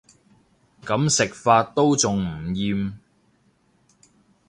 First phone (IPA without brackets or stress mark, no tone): k